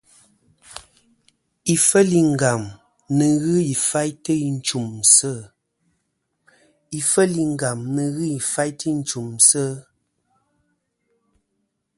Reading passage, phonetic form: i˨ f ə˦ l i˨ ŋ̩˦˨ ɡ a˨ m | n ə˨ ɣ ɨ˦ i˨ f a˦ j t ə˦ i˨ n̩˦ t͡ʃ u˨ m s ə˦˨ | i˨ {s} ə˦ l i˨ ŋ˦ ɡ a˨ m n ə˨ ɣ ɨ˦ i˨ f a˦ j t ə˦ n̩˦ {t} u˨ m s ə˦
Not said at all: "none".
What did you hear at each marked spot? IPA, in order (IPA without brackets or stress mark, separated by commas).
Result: f, t͡ʃ